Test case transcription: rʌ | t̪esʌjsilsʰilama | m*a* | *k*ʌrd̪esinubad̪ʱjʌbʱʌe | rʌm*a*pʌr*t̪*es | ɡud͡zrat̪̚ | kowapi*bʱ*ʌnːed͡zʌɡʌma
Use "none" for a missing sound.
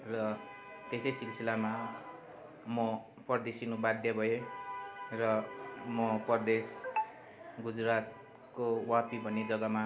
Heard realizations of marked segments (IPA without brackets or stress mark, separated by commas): ʌ, p, ʌ, d̪, bʱ